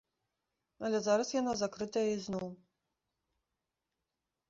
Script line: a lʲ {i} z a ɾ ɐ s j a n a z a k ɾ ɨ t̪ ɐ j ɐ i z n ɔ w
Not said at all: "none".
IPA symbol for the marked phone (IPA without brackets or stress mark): ɛ